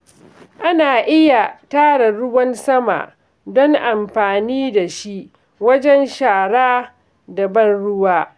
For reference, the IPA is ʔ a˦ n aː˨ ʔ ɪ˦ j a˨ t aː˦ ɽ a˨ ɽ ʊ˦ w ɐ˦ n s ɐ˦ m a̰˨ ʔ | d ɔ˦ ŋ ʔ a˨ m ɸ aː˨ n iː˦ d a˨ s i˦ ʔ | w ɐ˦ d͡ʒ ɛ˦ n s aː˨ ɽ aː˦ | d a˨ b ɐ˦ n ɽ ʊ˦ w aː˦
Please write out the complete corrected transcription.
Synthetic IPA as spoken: ʔ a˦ n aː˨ ʔ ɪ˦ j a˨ t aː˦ ɽ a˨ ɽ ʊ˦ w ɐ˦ n s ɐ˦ m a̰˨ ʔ | d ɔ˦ ŋ ʔ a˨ m ɸ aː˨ n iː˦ d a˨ ʃ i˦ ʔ | w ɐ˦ d͡ʒ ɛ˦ n ʃ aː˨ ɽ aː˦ | d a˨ b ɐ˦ n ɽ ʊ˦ w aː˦